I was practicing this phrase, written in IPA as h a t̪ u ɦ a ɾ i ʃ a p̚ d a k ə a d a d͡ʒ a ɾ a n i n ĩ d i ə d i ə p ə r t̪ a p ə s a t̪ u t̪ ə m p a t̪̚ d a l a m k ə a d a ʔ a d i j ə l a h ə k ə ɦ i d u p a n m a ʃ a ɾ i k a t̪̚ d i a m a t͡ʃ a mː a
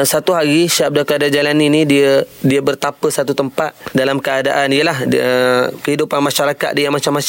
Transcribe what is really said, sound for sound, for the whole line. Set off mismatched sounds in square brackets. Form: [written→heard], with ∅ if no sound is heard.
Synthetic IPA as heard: [h→s] a t̪ u ɦ a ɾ i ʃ a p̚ d a k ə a d a d͡ʒ a [ɾ→l] a n i n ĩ d i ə d i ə [p→b] ə r t̪ a p ə s a t̪ u t̪ ə m p a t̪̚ d a l a m k ə a d a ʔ a [d→n] i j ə l a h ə k ə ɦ i d u p a n m a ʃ a ɾ [i→a] k a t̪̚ d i a m a t͡ʃ a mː a